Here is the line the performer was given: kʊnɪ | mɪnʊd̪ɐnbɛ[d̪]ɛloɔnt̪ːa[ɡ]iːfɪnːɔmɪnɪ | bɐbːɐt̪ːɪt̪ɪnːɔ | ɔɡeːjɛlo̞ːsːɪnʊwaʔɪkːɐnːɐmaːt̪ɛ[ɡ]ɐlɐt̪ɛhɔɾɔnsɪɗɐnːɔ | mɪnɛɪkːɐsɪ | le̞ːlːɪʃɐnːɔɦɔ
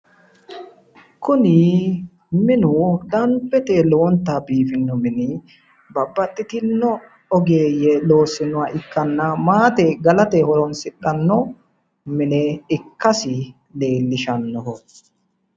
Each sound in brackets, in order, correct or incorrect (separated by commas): incorrect, incorrect, correct